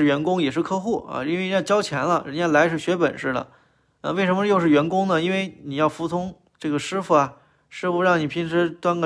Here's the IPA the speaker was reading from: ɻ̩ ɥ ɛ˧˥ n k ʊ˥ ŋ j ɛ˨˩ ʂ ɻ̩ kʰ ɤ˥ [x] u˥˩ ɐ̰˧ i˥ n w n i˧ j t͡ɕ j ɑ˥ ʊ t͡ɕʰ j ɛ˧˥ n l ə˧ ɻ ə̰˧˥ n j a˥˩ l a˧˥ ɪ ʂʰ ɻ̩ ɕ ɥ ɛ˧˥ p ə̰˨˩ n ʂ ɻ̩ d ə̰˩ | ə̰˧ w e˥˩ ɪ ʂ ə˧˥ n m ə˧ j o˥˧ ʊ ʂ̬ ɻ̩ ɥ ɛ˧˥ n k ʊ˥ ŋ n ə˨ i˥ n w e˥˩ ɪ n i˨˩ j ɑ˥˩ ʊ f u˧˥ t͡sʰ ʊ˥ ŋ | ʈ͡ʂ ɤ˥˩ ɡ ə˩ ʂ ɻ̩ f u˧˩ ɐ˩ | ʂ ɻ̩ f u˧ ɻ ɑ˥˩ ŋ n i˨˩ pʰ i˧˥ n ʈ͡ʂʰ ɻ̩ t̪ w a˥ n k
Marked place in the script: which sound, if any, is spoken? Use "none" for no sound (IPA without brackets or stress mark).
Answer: x